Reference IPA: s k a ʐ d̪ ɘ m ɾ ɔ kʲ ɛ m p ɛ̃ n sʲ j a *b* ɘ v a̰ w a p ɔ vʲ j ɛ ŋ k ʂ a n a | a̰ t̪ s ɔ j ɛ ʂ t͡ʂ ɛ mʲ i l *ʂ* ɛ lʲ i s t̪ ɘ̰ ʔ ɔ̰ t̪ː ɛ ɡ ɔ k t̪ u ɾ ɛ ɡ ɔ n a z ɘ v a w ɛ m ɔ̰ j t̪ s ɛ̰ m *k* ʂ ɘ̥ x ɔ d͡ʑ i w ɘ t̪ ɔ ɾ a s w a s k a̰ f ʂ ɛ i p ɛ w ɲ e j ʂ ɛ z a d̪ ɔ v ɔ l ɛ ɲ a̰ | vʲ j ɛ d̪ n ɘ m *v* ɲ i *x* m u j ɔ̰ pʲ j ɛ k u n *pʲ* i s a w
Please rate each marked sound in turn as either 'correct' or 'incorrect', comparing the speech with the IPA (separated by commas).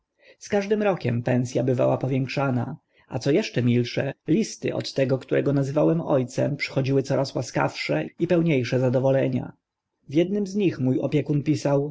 correct, correct, incorrect, incorrect, correct, correct